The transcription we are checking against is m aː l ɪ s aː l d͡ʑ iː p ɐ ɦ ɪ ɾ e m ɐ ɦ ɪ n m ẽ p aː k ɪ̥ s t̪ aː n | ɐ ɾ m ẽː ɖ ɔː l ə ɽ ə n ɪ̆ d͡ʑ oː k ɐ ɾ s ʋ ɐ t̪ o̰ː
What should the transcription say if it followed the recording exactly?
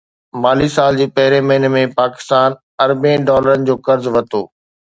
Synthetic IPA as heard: m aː l i s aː l d͡ʑ iː p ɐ ɦ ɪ ɾ e m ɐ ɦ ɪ n m ẽ p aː k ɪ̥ s t̪ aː n | ɐ ɾ b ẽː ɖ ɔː l ə ɾ ə n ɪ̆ d͡ʑ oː k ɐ ɾ z ʋ ɐ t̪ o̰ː